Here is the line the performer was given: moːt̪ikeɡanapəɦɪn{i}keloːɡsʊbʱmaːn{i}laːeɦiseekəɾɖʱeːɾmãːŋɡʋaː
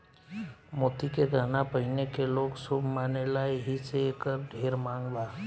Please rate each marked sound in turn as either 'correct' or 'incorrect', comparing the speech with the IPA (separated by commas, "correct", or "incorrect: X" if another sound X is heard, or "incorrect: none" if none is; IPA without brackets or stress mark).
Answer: incorrect: e, incorrect: e